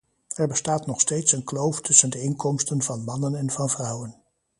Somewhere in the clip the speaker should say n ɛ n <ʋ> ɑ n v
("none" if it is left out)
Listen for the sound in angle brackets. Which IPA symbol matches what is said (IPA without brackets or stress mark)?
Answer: v